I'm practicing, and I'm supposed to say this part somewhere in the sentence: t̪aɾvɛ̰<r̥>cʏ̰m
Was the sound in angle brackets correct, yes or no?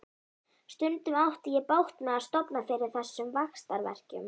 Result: yes